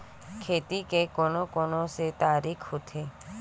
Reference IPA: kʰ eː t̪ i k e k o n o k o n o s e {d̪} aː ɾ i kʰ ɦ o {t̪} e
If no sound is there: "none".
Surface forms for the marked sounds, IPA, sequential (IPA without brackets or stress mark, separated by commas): t̪, t̪ʰ